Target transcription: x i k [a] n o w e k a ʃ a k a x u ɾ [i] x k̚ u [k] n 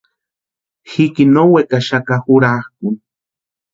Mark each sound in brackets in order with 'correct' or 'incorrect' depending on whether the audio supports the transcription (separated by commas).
incorrect, incorrect, incorrect